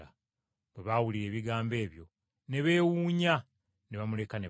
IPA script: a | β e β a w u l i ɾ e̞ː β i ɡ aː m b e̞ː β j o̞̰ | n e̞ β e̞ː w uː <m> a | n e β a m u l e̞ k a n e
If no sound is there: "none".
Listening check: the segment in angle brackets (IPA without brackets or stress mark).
ɲ